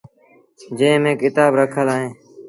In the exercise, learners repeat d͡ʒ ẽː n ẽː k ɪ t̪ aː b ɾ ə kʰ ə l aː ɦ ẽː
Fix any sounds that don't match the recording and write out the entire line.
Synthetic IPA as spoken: d͡ʒ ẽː m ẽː k ɪ t̪ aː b ɾ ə kʰ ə l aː ɦ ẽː